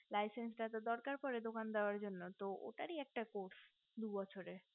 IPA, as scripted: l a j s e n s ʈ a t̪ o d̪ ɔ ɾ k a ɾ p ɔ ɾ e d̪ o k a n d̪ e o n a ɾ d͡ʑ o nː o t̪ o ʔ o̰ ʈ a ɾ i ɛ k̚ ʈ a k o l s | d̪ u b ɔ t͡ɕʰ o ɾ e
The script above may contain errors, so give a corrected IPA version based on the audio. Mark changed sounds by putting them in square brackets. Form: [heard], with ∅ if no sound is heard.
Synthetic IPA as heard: l a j s e n s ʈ a t̪ o d̪ ɔ ɾ k a ɾ p ɔ ɾ e d̪ o k a n d̪ e o [∅] a ɾ d͡ʑ o nː o t̪ o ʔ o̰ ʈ a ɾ i ɛ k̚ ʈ a k o [ɾ] s | d̪ u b ɔ t͡ɕʰ o ɾ e